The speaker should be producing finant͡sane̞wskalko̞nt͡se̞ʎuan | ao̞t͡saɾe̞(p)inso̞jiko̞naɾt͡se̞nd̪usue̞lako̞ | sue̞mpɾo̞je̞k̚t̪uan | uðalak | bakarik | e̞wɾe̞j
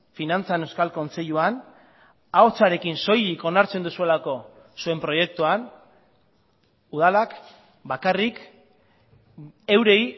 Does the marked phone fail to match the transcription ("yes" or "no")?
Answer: yes